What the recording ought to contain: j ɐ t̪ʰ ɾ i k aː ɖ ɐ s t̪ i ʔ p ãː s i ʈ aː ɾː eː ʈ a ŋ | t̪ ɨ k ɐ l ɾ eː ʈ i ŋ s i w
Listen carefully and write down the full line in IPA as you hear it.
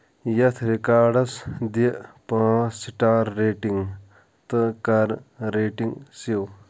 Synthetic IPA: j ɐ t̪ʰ ɾ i k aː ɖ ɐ s d̪ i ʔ p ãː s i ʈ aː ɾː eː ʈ i ŋ | t̪ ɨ k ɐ ɾ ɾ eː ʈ i ŋ s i w

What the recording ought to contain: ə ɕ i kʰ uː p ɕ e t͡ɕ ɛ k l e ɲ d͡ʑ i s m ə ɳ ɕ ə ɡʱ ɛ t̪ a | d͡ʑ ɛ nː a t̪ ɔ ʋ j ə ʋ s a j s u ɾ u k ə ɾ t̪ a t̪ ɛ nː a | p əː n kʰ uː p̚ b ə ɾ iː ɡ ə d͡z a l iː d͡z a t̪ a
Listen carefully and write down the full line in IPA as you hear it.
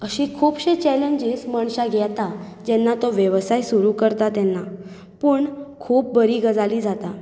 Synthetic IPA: ə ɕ i kʰ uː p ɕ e t͡ɕ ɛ l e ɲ d͡ʑ i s m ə ɳ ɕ a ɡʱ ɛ t̪ a | d͡ʑ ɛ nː a t̪ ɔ ʋ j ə ʋ s a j s u ɾ u k ə ɾ t̪ a t̪ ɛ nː a | p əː ɳ kʰ uː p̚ b ə ɾ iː ɡ ə d͡z a l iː d͡z a t̪ a

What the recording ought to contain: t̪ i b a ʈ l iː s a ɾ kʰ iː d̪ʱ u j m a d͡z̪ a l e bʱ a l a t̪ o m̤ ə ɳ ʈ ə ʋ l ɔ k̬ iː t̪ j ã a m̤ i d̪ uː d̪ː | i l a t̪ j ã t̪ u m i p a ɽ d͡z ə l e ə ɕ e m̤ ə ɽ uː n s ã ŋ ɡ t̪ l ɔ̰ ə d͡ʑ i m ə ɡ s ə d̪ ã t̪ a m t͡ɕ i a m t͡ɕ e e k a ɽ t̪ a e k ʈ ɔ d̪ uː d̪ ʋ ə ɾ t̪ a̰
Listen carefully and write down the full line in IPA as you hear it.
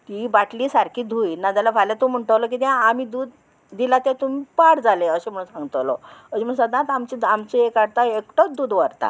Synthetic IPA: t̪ i b a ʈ l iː s a ɾ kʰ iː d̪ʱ u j n a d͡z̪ a l a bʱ a l a t̪ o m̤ ə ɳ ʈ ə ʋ l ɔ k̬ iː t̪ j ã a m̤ i d̪ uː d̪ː | i l a t̪ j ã t̪ u m i p a ɽ d͡z a l e ə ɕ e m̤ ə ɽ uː n s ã ŋ ɡ t̪ l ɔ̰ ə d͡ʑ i m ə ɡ s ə d̪ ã t̪ a m t͡ɕ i a m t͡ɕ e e k a ɽ t̪ a e k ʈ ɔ d̪ uː d̪ ʋ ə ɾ t̪ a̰

